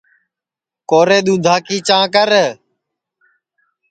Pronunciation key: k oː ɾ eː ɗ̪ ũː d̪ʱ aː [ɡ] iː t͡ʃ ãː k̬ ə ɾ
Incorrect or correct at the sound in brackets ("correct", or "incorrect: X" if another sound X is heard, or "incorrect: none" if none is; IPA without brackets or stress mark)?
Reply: incorrect: k